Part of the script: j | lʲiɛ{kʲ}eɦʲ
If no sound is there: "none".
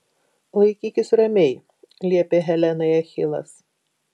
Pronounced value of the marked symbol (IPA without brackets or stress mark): pʲ